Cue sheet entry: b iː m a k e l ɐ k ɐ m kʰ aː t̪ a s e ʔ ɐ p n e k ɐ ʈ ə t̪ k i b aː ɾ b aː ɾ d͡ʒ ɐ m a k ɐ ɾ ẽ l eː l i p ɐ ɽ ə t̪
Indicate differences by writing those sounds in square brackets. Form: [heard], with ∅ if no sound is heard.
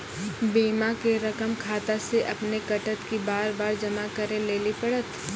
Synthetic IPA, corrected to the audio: b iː m a k e [ɾ] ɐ k [ə] m kʰ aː t̪ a s e ʔ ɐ p n e k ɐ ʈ ə t̪ k i b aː ɾ b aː ɾ d͡ʒ ɐ m a k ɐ ɾ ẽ l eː l i p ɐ ɽ ə t̪